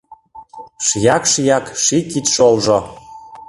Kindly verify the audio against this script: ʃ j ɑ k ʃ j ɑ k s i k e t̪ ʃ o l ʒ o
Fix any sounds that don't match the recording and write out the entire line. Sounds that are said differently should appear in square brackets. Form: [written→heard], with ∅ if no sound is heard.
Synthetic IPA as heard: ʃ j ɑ k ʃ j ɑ k [s→ʃ] i k [e→i] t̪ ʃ o l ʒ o